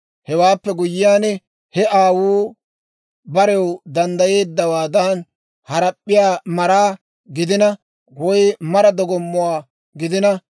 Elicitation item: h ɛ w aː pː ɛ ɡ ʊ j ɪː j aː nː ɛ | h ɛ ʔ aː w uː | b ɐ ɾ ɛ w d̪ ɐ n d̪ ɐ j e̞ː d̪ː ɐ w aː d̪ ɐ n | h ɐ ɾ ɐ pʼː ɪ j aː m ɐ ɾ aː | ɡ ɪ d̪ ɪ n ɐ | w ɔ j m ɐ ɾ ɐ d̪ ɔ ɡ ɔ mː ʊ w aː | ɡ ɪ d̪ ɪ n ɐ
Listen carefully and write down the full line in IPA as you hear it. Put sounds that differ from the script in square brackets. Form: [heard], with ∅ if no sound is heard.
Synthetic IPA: h ɛ w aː pː ɛ ɡ ʊ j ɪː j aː [n] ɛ | h ɛ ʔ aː w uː | b ɐ ɾ ɛ w d̪ ɐ n d̪ ɐ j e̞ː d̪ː ɐ w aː d̪ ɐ n | h ɐ ɾ ɐ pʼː ɪ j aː m ɐ ɾ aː | ɡ ɪ d̪ ɪ n ɐ | w ɔ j m ɐ ɾ ɐ d̪ ɔ ɡ ɔ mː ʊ w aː | ɡ ɪ d̪ ɪ n ɐ